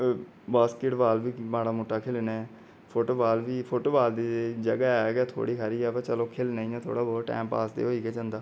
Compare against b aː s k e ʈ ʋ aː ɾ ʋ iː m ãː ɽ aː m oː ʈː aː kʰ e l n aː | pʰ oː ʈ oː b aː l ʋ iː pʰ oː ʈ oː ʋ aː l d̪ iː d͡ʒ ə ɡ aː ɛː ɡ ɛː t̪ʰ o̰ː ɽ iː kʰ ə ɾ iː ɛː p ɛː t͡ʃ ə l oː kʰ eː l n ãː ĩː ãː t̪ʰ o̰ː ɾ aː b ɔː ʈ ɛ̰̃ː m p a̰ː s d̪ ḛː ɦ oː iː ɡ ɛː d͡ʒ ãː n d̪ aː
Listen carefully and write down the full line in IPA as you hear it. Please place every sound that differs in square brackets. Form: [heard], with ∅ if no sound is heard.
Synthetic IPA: b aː s k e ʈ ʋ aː [l] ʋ iː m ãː ɽ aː m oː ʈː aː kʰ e l n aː | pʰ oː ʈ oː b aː l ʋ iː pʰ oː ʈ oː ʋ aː l d̪ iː d͡ʒ ə ɡ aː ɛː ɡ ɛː t̪ʰ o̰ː ɽ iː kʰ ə ɾ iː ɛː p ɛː t͡ʃ ə l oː kʰ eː l n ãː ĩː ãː t̪ʰ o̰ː [ɽ] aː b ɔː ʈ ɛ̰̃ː m p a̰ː s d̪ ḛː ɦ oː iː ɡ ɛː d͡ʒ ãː n d̪ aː